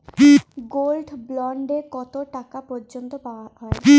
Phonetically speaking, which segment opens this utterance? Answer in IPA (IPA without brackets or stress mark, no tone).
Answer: ɡ